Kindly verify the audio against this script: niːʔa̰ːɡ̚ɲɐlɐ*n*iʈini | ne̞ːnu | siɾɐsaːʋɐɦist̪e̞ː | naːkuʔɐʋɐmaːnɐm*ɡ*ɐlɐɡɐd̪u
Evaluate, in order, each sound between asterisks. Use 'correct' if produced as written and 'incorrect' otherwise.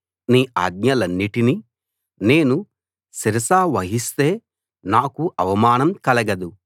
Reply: incorrect: nː, incorrect: k

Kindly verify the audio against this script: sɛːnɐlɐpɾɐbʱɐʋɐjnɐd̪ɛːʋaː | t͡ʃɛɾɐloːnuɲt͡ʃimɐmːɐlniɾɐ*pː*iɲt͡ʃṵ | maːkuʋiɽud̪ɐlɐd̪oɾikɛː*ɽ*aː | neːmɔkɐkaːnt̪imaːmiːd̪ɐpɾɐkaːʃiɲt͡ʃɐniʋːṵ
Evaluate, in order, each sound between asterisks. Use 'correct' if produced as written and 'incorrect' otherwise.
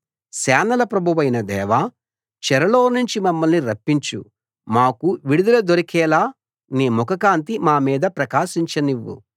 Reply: correct, incorrect: l

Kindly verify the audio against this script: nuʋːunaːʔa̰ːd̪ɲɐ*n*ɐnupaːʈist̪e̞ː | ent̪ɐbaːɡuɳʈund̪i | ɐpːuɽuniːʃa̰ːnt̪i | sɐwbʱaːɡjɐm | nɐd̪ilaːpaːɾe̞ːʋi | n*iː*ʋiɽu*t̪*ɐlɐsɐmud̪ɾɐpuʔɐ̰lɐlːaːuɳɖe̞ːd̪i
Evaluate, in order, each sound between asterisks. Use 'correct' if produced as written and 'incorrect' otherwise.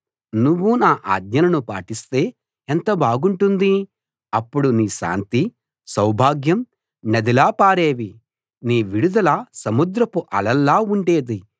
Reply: correct, correct, incorrect: d̪

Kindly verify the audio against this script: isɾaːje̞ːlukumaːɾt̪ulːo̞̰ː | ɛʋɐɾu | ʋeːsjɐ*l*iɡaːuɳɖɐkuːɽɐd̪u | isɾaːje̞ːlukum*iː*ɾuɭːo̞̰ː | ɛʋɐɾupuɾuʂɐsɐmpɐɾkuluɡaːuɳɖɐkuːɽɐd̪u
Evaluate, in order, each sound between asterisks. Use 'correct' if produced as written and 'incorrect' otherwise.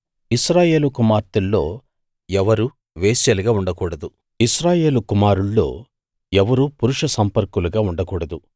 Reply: correct, incorrect: aː

